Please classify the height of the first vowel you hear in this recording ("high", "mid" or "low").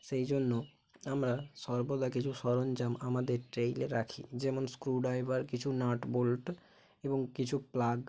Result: mid